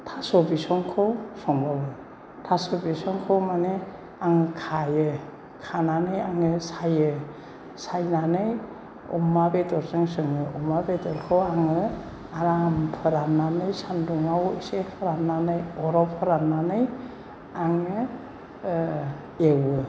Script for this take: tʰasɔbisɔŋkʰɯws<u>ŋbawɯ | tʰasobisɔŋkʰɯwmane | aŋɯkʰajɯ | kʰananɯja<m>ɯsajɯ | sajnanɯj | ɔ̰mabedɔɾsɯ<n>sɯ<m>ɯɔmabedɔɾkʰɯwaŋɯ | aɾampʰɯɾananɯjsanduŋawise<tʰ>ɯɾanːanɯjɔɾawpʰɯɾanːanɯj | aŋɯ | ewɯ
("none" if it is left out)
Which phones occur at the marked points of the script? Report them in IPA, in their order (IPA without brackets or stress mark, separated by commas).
ɔ, ŋ, ŋ, ŋ, pʰ